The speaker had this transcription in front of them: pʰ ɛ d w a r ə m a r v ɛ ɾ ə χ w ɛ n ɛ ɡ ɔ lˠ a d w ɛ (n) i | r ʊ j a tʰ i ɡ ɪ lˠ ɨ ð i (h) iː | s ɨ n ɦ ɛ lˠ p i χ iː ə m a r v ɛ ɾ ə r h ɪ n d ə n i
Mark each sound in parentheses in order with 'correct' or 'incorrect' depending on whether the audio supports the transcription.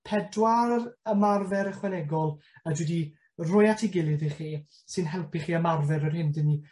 incorrect: d, incorrect: χ

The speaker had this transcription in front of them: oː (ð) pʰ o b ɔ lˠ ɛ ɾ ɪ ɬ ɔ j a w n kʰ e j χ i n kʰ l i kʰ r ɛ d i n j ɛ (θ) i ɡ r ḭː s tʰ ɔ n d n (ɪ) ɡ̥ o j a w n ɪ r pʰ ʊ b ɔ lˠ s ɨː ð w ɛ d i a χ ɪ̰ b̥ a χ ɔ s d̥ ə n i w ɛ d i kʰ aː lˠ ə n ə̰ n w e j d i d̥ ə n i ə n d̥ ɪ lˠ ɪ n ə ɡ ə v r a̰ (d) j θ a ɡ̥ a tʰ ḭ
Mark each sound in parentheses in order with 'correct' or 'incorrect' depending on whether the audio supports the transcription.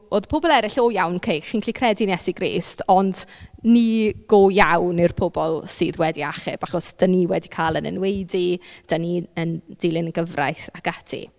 correct, incorrect: s, incorrect: i, incorrect: none

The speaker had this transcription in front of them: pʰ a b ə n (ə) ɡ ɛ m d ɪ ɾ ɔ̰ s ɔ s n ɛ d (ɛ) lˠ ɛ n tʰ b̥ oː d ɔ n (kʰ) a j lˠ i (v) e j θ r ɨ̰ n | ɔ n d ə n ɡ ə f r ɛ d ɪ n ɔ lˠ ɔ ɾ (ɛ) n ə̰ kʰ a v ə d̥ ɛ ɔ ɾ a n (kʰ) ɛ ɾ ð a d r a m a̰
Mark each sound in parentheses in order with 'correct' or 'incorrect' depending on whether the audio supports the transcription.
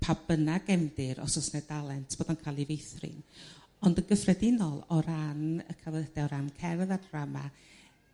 incorrect: a, incorrect: a, correct, correct, incorrect: a, correct

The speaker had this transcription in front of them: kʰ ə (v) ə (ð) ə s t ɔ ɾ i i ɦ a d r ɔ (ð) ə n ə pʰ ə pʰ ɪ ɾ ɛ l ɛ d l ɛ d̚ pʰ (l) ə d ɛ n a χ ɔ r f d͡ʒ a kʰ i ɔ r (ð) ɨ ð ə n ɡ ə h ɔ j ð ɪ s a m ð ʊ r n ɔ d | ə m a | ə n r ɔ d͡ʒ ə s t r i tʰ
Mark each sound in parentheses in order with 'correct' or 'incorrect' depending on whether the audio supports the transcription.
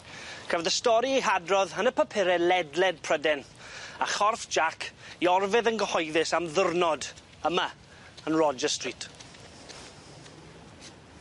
correct, correct, correct, incorrect: r, incorrect: v

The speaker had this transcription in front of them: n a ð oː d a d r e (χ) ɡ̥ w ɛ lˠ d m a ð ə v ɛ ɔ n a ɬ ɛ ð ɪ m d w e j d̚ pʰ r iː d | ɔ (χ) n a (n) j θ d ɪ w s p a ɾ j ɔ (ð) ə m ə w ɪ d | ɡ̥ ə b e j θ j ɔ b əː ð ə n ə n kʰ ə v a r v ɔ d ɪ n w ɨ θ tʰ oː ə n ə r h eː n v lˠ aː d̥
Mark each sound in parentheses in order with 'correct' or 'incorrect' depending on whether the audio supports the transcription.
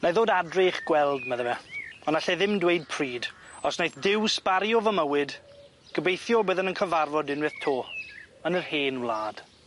correct, incorrect: s, incorrect: none, incorrect: v

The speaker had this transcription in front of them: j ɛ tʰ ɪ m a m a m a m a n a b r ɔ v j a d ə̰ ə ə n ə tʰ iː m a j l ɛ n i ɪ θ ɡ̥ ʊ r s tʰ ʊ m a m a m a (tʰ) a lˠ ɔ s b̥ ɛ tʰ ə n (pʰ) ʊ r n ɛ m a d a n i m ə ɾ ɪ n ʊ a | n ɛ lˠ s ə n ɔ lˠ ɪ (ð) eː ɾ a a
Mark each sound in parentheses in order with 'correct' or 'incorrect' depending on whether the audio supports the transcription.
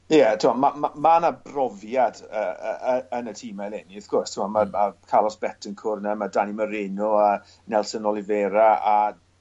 incorrect: kʰ, incorrect: kʰ, incorrect: v

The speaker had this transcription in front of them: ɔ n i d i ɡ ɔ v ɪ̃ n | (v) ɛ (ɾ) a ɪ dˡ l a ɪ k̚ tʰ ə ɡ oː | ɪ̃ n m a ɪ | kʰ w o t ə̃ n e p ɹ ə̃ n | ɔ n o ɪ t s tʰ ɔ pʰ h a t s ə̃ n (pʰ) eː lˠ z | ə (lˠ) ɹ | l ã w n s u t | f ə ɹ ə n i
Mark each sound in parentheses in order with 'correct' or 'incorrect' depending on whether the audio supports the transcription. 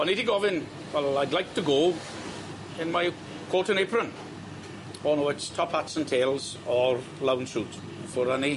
incorrect: w, incorrect: l, incorrect: tʰ, incorrect: none

